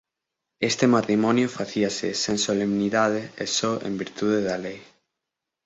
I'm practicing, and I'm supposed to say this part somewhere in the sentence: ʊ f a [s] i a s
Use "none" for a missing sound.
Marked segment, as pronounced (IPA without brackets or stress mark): θ